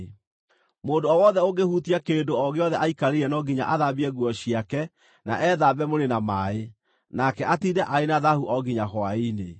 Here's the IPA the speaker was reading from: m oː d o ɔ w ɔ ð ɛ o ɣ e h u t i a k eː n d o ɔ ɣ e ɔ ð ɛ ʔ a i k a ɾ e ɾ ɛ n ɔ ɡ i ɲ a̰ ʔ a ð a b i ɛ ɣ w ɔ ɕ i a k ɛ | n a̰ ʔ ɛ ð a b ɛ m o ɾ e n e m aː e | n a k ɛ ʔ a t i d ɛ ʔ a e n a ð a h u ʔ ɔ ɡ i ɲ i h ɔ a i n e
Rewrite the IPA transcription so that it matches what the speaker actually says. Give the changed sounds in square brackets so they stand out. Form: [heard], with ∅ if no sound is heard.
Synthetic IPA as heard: m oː d o ɔ w ɔ ð ɛ o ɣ e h u t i a k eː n d o ɔ ɣ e ɔ ð ɛ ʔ a i k a ɾ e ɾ ɛ n ɔ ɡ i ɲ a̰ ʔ a ð a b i ɛ ɣ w ɔ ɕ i a k ɛ | n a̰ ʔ ɛ ð a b ɛ m o ɾ e n [a] m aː e | n a k ɛ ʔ a t i d ɛ ʔ a e n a ð a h u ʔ ɔ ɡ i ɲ [a] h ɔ a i n e

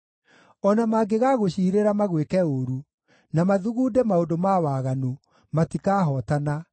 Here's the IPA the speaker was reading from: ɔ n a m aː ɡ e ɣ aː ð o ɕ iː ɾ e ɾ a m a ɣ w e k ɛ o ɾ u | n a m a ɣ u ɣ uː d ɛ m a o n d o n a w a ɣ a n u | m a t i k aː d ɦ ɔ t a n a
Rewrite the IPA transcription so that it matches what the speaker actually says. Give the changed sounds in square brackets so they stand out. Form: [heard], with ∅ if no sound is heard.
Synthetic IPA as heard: ɔ n a m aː ɡ e ɣ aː [ɣ] o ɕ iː ɾ e ɾ a m a ɣ w e k ɛ o ɾ u | n a m a [ð] u ɣ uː d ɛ m a o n d o [m] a w a ɣ a n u | m a t i k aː [∅] ɦ ɔ t a n a

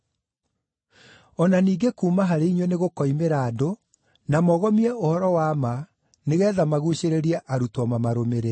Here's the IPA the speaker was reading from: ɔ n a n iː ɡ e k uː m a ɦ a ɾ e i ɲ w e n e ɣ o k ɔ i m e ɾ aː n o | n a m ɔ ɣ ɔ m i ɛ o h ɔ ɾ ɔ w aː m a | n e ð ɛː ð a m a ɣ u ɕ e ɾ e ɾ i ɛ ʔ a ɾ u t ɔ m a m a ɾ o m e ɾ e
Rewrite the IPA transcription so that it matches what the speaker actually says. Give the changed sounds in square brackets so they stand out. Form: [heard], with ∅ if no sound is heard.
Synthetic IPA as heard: ɔ n a n iː ɡ e k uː m a ɦ a ɾ e i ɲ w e n e ɣ o k ɔ i m e ɾ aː [d] o | n a m ɔ ɣ ɔ m i ɛ o h ɔ ɾ ɔ w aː m a | n e [ɣ] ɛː ð a m a ɣ u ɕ e ɾ e ɾ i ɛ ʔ a ɾ u t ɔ m a m a ɾ o m e ɾ e

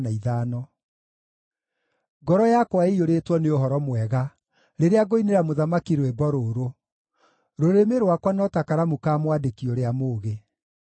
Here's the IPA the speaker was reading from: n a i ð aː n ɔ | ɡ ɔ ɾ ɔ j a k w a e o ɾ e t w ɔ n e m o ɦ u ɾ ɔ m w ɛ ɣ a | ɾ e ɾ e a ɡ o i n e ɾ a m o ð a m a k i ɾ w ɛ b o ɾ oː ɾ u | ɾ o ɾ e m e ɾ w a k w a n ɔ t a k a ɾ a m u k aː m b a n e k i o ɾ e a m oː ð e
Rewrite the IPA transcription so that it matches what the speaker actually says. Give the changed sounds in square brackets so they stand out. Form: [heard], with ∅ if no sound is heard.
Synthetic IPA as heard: n a i ð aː n ɔ | ɡ ɔ ɾ ɔ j a k w a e o ɾ e t w ɔ n e [∅] o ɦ [ɔ] ɾ ɔ m w ɛ ɣ a | ɾ e ɾ e a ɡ o i n e ɾ a m o ð a m a k i ɾ w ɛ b [ɔ] ɾ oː ɾ [o] | ɾ o ɾ e m e ɾ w a k w a n ɔ t a k a ɾ a m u k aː m [w] a [d] e k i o ɾ e a m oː [ɣ] e

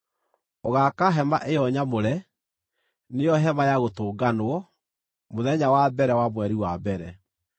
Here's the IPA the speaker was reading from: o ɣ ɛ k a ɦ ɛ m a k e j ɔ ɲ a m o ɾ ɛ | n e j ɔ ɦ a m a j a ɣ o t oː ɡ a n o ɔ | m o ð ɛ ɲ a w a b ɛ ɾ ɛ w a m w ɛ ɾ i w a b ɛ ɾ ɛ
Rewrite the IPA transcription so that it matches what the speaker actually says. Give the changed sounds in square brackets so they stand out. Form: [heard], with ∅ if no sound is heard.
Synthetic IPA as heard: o ɣ [a] k a ɦ ɛ m a [ʔ] e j ɔ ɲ a m o ɾ ɛ | n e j ɔ ɦ [ɛ] m a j a ɣ o t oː ɡ a n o ɔ | m o ð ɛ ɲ a w a b ɛ ɾ ɛ w a m w ɛ ɾ i w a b ɛ ɾ ɛ

